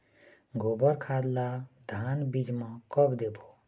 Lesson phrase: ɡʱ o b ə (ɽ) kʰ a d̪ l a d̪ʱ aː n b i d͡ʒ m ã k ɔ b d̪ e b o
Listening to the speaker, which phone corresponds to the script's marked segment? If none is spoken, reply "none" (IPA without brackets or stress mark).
ɾ